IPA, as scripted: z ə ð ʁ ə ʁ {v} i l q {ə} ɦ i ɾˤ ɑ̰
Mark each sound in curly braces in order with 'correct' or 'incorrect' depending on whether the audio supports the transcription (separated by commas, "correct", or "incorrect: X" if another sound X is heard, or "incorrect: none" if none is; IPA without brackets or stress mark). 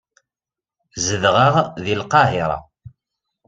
incorrect: ð, incorrect: ɑ